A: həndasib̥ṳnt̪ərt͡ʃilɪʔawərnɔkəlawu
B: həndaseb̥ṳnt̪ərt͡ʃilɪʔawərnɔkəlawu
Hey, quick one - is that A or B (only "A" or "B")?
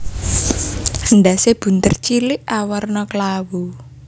B